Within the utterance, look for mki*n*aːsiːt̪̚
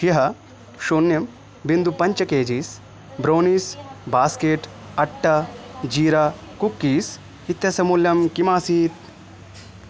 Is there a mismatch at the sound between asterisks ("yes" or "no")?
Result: yes